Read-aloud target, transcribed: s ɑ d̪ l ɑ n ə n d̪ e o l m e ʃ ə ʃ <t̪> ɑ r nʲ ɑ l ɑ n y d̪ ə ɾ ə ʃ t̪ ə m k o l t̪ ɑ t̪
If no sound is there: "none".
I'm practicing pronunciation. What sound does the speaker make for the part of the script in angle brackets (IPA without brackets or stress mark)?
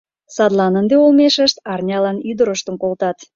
t̪